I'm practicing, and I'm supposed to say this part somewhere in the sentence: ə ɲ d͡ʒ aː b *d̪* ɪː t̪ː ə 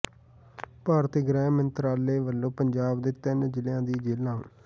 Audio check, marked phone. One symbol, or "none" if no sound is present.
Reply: d̪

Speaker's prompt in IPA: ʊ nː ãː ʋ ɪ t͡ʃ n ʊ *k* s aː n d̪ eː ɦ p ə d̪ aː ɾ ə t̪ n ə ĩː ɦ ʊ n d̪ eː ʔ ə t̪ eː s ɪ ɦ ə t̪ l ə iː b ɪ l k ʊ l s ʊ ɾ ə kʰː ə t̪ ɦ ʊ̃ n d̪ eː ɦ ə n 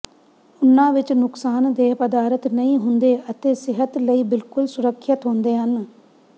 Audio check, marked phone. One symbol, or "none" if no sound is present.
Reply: k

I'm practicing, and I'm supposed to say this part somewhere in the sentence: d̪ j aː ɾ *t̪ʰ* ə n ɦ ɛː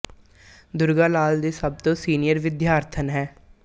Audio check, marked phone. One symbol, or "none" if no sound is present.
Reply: t̪ʰ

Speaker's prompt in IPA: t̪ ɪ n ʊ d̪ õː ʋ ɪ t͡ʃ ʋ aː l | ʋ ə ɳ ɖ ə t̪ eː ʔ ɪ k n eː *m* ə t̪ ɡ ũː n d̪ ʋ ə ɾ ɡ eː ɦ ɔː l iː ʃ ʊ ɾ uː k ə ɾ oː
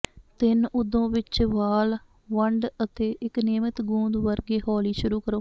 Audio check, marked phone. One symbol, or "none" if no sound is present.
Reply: m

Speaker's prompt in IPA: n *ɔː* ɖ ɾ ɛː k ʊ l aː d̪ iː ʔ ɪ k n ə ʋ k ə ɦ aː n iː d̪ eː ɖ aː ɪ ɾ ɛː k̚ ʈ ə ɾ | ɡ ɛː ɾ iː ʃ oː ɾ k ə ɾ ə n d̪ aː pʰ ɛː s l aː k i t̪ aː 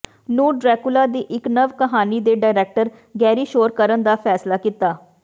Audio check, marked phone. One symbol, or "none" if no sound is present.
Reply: uː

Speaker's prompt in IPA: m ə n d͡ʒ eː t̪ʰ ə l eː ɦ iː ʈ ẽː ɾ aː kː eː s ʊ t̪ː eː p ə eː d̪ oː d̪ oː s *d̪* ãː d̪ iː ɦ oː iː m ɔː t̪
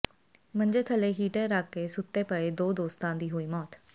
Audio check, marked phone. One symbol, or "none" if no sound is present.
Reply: t̪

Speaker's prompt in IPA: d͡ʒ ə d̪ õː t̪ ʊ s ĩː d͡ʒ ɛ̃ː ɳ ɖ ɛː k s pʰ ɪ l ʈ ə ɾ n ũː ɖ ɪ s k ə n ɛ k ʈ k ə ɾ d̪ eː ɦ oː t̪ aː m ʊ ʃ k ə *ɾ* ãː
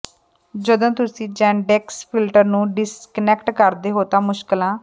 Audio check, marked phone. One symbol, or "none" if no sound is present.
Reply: l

